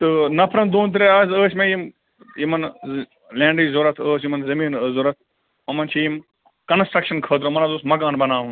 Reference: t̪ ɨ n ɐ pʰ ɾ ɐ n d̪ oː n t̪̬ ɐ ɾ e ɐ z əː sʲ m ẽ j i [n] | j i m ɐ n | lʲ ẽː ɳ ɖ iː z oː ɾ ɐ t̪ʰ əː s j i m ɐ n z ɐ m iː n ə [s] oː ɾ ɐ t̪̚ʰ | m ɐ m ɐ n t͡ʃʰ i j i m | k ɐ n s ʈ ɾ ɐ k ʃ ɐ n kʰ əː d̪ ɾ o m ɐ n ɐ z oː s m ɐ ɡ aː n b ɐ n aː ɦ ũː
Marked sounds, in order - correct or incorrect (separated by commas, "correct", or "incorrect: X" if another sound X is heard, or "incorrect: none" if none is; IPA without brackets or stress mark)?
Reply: incorrect: m, incorrect: z